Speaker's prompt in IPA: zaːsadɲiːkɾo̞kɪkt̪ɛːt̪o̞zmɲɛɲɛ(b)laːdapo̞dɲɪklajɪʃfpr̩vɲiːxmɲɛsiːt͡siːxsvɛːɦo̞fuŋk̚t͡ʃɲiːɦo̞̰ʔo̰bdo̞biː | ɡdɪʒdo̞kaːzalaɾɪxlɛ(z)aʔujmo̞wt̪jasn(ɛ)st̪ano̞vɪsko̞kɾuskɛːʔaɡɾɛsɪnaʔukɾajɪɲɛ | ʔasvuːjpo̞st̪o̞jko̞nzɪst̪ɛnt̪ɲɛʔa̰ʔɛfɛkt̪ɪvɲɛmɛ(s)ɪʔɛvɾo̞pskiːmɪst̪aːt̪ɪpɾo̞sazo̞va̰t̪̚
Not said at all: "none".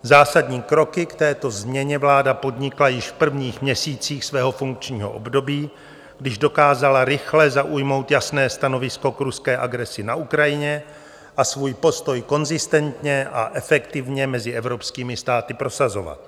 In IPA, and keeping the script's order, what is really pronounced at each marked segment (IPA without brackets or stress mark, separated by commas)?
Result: v, z, ɛː, z